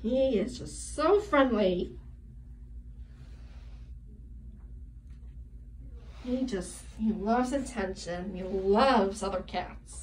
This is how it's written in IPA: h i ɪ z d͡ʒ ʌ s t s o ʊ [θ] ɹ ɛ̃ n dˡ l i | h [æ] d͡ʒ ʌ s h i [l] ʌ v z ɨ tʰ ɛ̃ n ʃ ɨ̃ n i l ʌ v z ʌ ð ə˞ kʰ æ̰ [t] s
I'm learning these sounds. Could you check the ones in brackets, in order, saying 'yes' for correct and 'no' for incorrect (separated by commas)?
no, no, yes, yes